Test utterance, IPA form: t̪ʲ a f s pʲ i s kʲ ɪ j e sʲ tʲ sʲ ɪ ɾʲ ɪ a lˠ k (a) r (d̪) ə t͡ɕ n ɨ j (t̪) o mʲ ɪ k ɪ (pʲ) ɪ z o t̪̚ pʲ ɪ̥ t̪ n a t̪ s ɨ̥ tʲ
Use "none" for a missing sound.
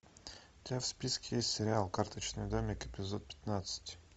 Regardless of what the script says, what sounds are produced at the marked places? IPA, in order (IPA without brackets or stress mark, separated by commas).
a, t̪, d̪, pʲ